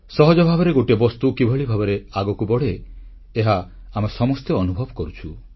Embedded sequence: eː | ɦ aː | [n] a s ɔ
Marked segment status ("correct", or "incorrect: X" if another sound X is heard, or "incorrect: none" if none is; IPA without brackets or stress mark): incorrect: m